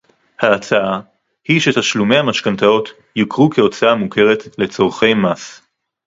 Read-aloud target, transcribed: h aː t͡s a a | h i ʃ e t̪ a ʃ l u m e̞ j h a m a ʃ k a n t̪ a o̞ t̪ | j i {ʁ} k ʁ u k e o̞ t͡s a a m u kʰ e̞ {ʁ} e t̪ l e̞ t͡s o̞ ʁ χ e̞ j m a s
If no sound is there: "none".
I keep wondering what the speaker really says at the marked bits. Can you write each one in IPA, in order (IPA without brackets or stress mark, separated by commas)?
none, ʁ